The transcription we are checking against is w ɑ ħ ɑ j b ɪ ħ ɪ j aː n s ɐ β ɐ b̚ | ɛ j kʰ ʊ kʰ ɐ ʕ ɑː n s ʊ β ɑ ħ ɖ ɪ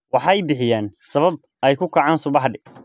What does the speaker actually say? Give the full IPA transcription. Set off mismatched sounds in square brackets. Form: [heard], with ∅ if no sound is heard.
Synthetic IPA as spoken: w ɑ ħ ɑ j b ɪ ħ ɪ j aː n s ɐ β ɐ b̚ | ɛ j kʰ ʊ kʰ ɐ ʕ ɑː n s ʊ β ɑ ħ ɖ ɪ